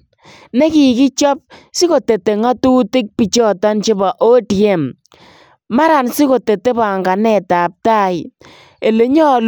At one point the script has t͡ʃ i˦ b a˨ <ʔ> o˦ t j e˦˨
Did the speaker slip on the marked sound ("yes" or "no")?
no